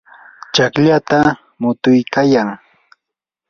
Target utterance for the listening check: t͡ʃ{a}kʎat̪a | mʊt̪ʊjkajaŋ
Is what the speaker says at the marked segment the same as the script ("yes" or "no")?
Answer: yes